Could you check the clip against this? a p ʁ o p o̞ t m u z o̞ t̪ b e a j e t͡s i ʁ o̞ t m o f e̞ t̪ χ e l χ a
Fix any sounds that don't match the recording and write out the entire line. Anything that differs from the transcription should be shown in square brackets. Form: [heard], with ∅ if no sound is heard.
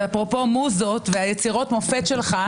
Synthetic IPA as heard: a p ʁ o p o̞ [∅] m u z o̞ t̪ [v] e a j e t͡s i ʁ o̞ t m o f e̞ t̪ [ʃ] e l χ a

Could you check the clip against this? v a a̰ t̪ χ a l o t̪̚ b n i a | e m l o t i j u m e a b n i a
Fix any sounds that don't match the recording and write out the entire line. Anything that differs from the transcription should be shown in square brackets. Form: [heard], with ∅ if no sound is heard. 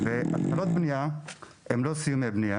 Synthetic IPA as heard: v [e] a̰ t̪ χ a l o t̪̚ b n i a | e m l o [s] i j u m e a b n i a

